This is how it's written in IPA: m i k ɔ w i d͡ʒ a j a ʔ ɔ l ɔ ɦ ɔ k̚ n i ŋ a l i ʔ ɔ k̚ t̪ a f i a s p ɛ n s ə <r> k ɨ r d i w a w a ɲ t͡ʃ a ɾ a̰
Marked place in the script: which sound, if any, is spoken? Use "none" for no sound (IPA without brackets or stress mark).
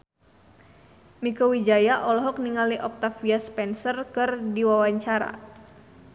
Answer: r